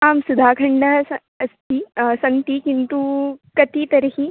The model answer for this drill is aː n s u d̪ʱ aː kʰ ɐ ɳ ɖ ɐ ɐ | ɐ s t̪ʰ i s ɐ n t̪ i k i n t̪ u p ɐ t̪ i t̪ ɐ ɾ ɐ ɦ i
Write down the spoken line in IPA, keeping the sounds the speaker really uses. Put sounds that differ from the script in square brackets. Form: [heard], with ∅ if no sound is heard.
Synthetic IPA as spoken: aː [m] s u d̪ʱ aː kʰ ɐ ɳ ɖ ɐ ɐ | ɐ s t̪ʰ i s ɐ n t̪ i k i n t̪ u [k] ɐ t̪ i t̪ ɐ ɾ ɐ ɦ i